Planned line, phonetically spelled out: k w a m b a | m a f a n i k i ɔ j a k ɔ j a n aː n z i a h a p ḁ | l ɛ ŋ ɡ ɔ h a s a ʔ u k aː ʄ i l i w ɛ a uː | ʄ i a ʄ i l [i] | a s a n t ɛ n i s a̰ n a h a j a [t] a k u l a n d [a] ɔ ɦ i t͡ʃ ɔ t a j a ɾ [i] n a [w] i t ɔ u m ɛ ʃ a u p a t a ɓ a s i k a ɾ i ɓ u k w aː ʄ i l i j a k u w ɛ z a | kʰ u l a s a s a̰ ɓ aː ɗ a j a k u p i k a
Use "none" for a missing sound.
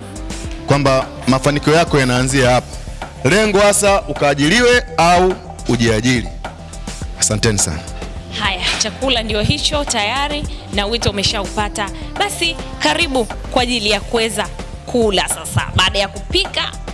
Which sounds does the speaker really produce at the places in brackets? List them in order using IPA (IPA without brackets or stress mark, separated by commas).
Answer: i, t͡ʃ, i, i, w